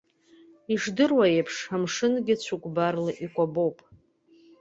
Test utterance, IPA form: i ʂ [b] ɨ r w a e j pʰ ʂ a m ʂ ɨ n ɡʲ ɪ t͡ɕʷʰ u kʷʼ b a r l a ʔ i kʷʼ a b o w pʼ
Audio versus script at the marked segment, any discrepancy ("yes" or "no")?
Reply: yes